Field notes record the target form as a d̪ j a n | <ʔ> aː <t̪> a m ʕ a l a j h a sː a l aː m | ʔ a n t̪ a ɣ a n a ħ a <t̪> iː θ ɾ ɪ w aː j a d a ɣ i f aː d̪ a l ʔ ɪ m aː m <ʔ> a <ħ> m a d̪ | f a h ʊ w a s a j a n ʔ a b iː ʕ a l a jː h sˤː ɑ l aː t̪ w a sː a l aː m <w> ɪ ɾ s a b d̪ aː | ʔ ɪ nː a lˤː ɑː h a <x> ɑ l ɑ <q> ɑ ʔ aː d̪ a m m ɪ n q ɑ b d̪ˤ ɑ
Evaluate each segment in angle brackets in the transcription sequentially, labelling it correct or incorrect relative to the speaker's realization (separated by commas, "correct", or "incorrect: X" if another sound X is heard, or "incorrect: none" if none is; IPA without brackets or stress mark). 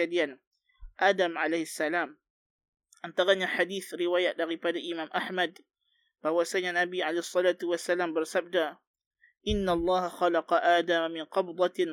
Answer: correct, incorrect: d̪, incorrect: d̪, correct, correct, incorrect: b, correct, correct